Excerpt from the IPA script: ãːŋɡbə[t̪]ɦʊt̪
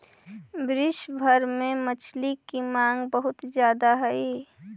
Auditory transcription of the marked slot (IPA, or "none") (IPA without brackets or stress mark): none